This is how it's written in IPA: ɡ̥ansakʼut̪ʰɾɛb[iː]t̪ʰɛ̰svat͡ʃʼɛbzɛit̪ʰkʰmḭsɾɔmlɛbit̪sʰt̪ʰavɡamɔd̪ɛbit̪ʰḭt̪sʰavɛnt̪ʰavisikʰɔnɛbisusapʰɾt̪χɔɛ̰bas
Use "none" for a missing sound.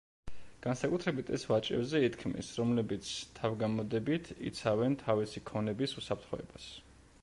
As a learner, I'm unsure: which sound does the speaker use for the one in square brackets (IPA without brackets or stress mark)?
i